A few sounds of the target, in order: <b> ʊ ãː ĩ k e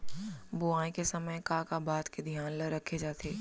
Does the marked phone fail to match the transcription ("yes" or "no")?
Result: no